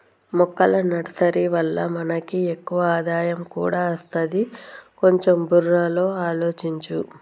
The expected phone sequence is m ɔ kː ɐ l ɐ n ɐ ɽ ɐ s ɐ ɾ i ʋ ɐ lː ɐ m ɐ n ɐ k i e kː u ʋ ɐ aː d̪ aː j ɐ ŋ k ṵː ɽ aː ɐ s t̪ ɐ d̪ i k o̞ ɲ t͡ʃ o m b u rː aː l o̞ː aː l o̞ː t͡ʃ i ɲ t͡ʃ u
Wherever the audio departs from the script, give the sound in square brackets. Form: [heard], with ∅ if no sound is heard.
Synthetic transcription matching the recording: m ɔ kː ɐ l ɐ n ɐ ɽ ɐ s ɐ ɾ i ʋ ɐ lː ɐ m ɐ n ɐ k i e kː u ʋ ɐ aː d̪ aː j ɐ [m] k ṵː ɽ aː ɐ s t̪ ɐ d̪ i k o̞ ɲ t͡ʃ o m b u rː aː l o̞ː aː l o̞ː t͡ʃ i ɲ t͡ʃ u